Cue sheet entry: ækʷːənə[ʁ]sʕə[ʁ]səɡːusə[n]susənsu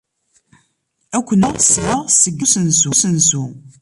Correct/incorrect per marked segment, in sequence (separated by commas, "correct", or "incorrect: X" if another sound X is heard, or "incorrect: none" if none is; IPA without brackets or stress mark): correct, correct, correct